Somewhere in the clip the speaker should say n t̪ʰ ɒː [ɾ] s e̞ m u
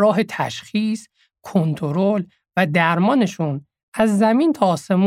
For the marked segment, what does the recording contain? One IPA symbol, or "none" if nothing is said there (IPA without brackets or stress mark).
none